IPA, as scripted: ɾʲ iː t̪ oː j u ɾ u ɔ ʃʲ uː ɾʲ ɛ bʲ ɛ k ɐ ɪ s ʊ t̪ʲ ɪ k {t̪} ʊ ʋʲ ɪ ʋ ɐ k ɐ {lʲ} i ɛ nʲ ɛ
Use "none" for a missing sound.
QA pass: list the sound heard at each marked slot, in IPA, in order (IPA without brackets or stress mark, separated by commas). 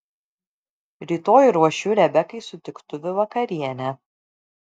t̪, ɾʲ